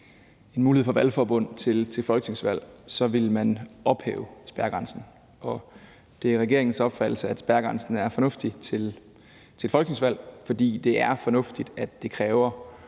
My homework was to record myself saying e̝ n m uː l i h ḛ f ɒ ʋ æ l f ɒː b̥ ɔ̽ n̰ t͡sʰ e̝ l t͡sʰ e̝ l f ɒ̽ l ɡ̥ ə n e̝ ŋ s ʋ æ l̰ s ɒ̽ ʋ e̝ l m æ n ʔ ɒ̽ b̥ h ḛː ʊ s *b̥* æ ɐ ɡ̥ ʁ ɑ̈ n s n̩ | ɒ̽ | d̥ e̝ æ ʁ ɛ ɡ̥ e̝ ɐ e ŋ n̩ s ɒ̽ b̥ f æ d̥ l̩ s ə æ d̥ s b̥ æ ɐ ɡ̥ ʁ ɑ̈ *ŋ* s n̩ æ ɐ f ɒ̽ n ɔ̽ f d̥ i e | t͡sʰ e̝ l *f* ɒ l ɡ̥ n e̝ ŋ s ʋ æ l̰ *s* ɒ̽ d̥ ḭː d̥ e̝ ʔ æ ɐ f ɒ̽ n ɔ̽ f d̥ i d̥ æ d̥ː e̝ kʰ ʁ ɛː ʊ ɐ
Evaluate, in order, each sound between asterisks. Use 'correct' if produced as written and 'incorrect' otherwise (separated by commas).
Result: correct, incorrect, correct, incorrect